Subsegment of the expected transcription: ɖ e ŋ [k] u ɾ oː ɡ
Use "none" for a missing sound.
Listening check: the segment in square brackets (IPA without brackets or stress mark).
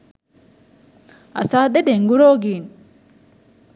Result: ɡ